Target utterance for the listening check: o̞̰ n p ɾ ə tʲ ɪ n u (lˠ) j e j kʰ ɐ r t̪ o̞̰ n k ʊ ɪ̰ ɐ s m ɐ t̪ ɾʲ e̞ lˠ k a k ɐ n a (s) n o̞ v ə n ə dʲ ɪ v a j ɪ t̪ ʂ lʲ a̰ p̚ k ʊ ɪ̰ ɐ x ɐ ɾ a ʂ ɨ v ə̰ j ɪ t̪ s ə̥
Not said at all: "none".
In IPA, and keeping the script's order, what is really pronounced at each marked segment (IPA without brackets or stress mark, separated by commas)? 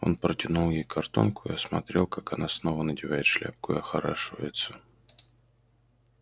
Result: lˠ, s